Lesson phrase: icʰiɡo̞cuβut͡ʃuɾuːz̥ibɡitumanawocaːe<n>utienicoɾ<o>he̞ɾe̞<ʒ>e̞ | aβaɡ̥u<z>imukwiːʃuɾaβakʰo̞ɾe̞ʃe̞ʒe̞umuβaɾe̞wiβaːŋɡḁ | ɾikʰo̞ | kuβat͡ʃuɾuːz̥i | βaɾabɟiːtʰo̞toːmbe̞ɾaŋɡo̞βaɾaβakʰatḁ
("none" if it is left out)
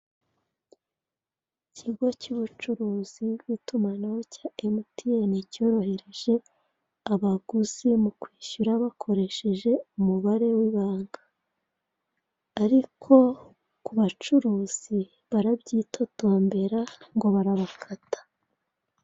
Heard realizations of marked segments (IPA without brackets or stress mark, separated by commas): m, o, ʒ, z